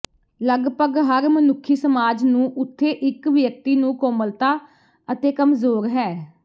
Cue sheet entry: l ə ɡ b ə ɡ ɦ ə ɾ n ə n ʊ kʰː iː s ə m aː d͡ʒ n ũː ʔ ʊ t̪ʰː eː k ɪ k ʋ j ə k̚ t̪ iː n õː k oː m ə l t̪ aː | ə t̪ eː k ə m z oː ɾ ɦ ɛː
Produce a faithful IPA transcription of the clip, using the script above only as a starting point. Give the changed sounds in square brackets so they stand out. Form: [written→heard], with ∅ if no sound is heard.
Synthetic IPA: l ə ɡ [b→p] ə ɡ ɦ ə ɾ [n→m] ə n ʊ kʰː iː s ə m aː d͡ʒ n ũː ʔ ʊ t̪ʰː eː [k→ʔ] ɪ k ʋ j ə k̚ t̪ iː n [õː→ũː] k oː m ə l t̪ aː | ə t̪ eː k ə m z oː ɾ ɦ ɛː